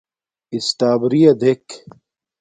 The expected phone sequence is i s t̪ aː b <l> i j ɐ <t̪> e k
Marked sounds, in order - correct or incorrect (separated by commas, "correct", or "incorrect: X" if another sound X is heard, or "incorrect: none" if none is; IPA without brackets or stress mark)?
incorrect: ɾ, incorrect: d̪